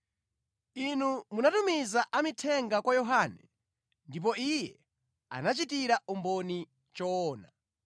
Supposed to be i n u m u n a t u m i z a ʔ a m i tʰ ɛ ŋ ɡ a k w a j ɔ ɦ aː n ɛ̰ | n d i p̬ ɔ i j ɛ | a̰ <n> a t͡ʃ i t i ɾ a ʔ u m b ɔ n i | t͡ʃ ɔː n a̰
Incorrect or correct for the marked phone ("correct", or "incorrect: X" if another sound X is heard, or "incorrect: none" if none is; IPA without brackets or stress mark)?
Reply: correct